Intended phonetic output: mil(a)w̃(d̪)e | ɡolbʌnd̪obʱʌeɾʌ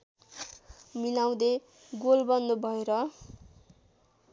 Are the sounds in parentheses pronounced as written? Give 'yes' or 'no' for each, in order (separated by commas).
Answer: yes, yes